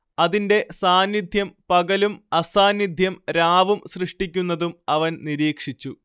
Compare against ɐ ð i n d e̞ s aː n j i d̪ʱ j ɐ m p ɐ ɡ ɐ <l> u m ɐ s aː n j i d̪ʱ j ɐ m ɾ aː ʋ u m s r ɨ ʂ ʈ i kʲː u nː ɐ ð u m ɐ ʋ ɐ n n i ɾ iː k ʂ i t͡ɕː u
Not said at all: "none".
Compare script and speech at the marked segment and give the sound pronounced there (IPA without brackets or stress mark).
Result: l